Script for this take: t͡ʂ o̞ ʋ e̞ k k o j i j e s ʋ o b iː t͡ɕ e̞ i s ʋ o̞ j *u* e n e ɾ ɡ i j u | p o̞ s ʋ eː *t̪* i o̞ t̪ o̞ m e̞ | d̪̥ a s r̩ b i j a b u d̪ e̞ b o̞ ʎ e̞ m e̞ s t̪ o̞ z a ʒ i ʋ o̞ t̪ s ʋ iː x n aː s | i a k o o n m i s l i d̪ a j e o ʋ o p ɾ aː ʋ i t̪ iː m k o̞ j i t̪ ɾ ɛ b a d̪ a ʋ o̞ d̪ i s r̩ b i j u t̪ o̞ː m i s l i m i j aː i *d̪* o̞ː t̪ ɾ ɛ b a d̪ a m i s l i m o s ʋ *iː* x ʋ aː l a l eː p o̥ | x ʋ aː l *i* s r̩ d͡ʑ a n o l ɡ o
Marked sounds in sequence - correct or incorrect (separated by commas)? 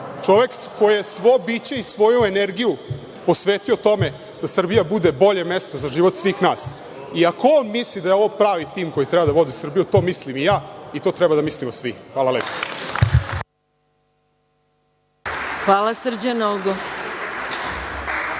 correct, correct, incorrect, incorrect, incorrect